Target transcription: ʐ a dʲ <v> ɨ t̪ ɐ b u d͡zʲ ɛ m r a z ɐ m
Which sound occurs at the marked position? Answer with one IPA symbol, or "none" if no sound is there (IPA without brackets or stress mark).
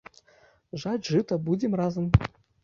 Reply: ʐ